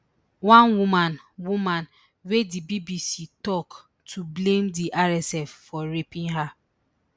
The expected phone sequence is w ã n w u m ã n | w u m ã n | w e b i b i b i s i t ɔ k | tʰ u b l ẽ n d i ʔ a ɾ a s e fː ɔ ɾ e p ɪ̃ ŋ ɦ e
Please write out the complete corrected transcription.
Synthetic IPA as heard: w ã n w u m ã n | w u m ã n | w e d i b i b i s i t ɔ k | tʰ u b l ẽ m d i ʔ a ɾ ɛ s ɛ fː ɔ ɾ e p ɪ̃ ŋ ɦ a